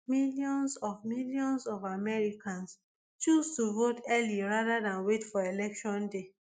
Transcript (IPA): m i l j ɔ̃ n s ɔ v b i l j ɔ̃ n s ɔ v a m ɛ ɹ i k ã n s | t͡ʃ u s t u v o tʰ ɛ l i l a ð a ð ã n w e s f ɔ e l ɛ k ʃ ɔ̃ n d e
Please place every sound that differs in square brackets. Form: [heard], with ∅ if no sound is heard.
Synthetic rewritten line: m i l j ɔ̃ n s ɔ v [m] i l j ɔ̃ n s ɔ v a m ɛ ɹ i k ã n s | t͡ʃ u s t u v o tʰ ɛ l i [ɹ] a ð a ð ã n w e [t] f ɔ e l ɛ k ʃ ɔ̃ n d e